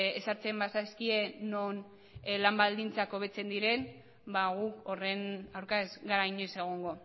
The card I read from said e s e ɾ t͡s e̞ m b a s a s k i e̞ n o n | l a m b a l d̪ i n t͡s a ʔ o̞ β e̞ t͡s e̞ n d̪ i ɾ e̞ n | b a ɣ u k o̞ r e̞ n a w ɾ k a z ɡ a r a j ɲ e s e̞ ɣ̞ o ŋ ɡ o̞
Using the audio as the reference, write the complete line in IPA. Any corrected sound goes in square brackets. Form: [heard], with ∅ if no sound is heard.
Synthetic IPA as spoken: e s [a] ɾ t͡s e̞ m b a s a s k i e̞ n o n | l a m b a l d̪ i n t͡s a [k] o̞ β e̞ t͡s e̞ n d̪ i ɾ e̞ n | b a ɣ u k o̞ r e̞ n a w ɾ k a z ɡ a [ɾ] a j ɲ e s e̞ ɣ̞ o ŋ ɡ o̞